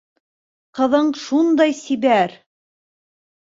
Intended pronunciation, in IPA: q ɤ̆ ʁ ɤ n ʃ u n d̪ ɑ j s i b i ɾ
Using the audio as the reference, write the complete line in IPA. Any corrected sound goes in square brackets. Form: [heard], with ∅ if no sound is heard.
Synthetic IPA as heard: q ɤ̆ [ð] ɤ [ɴ] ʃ u n d̪ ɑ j s i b [æ] ɾ